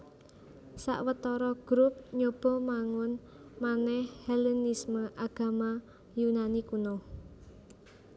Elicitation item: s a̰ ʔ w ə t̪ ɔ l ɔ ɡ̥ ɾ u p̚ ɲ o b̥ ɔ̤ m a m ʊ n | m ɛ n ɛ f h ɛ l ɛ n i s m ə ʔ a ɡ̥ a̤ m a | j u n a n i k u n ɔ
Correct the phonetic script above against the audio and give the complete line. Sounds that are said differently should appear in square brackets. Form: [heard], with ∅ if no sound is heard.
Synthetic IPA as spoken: s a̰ ʔ w ə t̪ ɔ [ɾ] ɔ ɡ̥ ɾ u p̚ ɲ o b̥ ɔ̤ m a [ŋ] ʊ n | m [a] n ɛ [h] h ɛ l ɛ n i s m ə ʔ a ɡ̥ a̤ m a | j u n a n i k u n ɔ